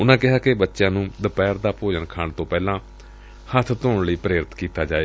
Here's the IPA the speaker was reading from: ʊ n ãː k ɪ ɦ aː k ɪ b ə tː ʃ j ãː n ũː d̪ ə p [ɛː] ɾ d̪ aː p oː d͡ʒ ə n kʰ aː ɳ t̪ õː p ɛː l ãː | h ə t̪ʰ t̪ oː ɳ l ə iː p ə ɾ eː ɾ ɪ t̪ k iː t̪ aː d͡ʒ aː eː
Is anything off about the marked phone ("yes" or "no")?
no